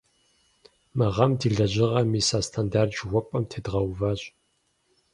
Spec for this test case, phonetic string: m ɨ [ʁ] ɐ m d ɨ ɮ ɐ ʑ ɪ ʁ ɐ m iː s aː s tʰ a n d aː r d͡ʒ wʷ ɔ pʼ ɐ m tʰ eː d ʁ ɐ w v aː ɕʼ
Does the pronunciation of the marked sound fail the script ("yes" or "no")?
no